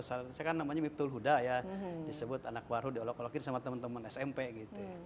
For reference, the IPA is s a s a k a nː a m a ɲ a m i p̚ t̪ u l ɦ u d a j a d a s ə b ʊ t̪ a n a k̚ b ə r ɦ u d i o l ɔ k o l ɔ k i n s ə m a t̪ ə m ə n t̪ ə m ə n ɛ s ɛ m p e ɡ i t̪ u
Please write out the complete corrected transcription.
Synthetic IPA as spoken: s a s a k a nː a m a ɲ a m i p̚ t̪ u l ɦ u d a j a d i s ə b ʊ t̪ a n a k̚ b a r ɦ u d i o l ɔ k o l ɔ k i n s a m a t̪ ə m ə n t̪ ə m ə n ɛ s ɛ m p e ɡ i t̪ u